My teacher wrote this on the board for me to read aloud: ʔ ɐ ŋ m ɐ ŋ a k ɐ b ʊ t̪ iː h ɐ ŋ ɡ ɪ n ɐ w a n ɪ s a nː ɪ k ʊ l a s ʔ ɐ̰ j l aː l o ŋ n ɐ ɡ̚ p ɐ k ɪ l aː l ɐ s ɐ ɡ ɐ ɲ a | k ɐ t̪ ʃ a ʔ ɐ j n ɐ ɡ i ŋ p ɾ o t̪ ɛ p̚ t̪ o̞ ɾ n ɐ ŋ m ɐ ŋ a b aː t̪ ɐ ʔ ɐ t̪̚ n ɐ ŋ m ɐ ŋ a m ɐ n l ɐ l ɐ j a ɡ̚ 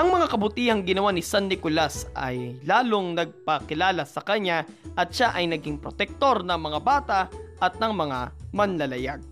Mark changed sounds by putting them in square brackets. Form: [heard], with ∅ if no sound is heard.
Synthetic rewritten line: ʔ ɐ ŋ m ɐ ŋ a k ɐ b ʊ t̪ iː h ɐ ŋ ɡ ɪ n ɐ w a n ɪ s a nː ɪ k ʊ l a s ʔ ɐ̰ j l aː l o ŋ n ɐ ɡ̚ p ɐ k ɪ l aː l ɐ s ɐ [k] ɐ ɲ a | [ʔ] ɐ t̪ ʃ a ʔ ɐ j n ɐ ɡ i ŋ p ɾ o t̪ ɛ [k̚] t̪ o̞ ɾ n ɐ ŋ m ɐ ŋ a b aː t̪ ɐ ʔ ɐ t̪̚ n ɐ ŋ m ɐ ŋ a m ɐ n l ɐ l ɐ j a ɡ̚